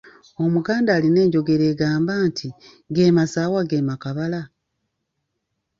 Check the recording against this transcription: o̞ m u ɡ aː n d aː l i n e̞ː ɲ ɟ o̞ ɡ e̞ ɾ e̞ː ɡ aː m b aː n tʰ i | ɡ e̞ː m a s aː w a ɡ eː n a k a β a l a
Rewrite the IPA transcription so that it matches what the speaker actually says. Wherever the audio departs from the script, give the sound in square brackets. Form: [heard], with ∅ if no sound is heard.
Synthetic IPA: o̞ m u ɡ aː n d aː l i n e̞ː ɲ ɟ o̞ ɡ e̞ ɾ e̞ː ɡ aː m b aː n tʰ i | ɡ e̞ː m a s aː w a ɡ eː [m] a k a β a l a